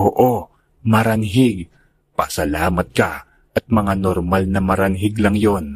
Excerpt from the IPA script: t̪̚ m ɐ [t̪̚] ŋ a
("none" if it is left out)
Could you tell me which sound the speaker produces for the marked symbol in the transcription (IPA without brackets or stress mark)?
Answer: none